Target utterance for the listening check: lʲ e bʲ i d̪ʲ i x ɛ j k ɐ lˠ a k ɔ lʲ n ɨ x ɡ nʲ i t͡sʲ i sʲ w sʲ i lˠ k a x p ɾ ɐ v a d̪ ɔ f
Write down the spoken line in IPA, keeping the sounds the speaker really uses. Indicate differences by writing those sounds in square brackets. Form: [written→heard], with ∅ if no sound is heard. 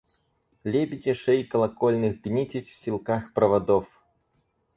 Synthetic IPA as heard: lʲ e bʲ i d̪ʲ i [x→ʂ] ɛ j k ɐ lˠ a k ɔ lʲ n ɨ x ɡ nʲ i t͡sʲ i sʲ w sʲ i lˠ k a x p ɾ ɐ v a d̪ ɔ f